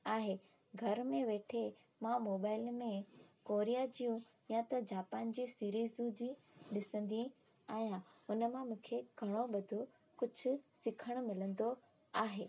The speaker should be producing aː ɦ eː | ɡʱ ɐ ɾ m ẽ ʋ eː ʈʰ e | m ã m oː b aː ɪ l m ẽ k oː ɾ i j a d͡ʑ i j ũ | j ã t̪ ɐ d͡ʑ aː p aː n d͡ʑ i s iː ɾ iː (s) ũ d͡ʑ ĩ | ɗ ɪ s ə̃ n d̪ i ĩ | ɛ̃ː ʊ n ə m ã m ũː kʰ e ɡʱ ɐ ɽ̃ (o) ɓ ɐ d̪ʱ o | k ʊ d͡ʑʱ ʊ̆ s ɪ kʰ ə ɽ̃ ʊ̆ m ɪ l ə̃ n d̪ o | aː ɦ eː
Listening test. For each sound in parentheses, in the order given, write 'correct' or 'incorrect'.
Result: incorrect: z, correct

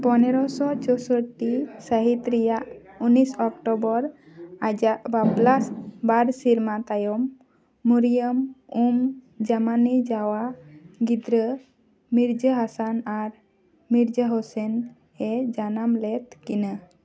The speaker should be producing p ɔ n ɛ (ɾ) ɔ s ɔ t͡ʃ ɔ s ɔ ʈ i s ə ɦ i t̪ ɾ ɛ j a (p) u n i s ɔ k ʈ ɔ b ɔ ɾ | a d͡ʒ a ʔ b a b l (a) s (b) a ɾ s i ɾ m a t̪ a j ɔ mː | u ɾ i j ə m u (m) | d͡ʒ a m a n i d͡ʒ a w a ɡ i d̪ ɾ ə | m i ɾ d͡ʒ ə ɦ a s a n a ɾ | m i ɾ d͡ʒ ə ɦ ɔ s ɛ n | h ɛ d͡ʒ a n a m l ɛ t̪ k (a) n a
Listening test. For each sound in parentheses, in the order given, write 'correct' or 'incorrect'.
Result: correct, incorrect: ʔ, correct, correct, correct, incorrect: i

